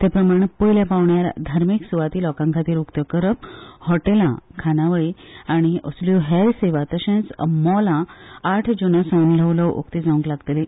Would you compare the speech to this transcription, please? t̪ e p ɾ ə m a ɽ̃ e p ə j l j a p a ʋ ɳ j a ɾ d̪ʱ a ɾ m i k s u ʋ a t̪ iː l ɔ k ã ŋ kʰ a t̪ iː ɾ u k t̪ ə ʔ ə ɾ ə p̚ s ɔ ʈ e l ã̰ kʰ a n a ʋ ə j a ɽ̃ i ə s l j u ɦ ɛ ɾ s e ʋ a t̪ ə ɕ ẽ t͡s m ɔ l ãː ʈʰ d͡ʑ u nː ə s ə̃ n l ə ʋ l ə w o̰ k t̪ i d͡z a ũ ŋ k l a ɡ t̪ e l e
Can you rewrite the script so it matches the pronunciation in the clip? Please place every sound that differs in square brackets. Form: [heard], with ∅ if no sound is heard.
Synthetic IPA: t̪ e p ɾ ə m a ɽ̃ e p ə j l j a p a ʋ ɳ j a ɾ d̪ʱ a ɾ m i k s u ʋ a t̪ iː l ɔ k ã ŋ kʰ a t̪ iː ɾ u k t̪ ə [k] ə ɾ ə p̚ [h] ɔ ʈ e l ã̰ kʰ a n a ʋ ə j a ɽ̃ i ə s l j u ɦ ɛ ɾ s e ʋ a t̪ ə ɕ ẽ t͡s m ɔ l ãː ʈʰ d͡ʑ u [n] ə s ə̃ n l ə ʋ l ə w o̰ k t̪ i d͡z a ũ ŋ k l a ɡ t̪ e l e